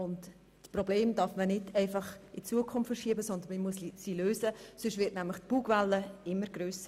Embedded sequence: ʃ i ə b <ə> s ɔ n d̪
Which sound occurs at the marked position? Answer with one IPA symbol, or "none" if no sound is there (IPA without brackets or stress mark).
ə